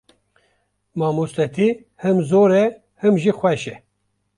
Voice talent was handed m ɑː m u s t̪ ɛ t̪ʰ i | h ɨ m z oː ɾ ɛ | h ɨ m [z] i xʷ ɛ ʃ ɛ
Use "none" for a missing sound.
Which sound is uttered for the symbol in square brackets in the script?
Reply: ʒ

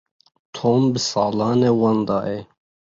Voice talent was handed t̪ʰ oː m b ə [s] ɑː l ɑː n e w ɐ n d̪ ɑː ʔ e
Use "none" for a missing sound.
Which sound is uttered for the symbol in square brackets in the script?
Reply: s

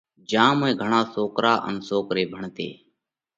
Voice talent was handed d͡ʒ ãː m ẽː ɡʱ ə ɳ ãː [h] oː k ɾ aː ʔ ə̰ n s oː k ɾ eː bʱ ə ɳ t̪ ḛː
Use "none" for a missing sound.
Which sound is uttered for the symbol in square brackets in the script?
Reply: s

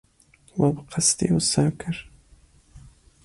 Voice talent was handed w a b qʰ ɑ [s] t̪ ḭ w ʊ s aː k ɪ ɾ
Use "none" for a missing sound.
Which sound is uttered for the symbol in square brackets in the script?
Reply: s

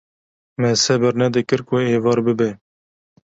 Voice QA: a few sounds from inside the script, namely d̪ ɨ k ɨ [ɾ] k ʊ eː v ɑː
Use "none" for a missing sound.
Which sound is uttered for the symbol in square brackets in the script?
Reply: ɾ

